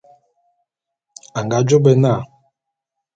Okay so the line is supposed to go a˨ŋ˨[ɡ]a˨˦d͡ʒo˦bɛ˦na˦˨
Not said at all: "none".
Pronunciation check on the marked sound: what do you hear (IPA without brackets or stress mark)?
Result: ɡ